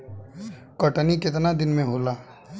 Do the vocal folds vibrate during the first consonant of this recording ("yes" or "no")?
no